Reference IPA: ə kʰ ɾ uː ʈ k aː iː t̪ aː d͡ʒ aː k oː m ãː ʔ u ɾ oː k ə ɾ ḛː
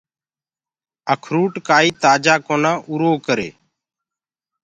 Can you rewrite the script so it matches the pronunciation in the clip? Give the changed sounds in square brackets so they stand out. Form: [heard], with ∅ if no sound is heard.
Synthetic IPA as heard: ə kʰ ɾ uː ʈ k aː iː t̪ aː d͡ʒ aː k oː [n] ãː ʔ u ɾ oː k ə ɾ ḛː